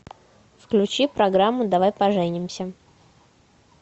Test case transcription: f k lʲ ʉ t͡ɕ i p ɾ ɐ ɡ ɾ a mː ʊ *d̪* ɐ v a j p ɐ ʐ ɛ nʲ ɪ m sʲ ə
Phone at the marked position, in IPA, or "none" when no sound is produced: d̪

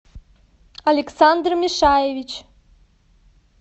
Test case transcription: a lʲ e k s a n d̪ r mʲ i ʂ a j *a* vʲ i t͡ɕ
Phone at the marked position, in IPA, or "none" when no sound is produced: e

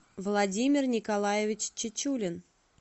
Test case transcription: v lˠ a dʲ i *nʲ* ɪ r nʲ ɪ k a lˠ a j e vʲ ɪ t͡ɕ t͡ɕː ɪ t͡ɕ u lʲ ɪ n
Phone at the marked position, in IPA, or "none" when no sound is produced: mʲ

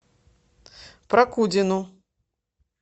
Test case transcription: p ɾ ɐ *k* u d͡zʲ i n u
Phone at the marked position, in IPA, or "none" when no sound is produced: k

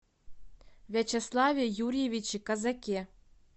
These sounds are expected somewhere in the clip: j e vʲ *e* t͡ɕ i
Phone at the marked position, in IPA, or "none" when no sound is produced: i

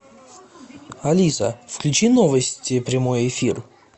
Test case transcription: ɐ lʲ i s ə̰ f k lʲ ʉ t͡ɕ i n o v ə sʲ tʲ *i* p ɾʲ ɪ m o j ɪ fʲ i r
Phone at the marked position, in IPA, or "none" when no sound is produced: ɪ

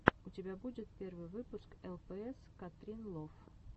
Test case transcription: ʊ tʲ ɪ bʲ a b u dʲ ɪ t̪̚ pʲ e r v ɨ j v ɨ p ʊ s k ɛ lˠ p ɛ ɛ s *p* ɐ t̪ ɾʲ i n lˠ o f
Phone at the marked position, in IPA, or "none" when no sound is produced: k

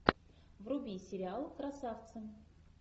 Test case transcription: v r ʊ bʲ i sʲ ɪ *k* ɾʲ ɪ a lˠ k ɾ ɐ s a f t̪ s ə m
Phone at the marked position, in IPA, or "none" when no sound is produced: none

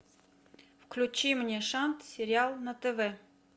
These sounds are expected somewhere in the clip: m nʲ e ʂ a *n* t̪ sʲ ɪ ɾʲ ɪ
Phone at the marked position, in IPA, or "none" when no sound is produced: n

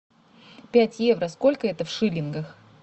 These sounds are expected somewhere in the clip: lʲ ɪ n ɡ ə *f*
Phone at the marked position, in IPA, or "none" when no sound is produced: x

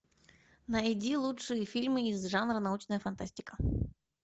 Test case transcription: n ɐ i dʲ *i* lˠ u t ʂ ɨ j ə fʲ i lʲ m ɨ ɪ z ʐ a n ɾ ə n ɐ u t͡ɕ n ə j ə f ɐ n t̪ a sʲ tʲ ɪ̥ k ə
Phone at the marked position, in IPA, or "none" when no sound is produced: i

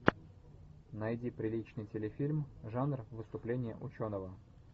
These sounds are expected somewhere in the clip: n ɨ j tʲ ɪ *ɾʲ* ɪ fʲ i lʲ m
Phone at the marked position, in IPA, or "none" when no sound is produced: lʲ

